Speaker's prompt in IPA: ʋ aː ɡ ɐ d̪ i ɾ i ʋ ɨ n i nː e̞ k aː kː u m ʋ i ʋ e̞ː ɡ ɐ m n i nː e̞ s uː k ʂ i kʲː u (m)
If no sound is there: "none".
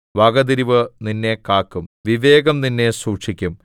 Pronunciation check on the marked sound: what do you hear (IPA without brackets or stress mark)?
m